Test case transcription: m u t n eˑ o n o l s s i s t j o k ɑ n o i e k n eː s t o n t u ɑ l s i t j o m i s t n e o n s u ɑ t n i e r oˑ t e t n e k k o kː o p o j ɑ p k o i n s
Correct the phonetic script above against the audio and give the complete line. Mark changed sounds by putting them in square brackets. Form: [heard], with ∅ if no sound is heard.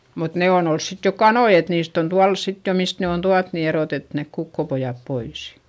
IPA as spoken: m u t n eˑ o n o l s s i [∅] t j o k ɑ n o i e [t] n [iː] s t o n t u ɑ l s i t j o m i s t n e o n [t] u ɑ t n i e r oˑ t e t n e k k [u] kː o p o j ɑ p [p] o i [∅] s